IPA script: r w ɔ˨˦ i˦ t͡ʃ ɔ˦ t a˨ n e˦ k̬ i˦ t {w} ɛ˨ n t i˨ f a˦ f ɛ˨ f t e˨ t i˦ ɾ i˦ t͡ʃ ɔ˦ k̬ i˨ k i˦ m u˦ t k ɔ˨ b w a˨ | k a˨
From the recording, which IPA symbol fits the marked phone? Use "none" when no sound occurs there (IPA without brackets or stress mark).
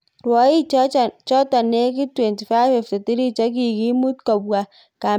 w